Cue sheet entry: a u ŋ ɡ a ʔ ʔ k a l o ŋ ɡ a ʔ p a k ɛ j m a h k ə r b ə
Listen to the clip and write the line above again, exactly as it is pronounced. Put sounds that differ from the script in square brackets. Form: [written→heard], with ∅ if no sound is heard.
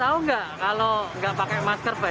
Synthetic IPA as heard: a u ŋ ɡ a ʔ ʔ k a l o ŋ ɡ a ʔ p a k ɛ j m a [h→s] k ə r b [ə→a]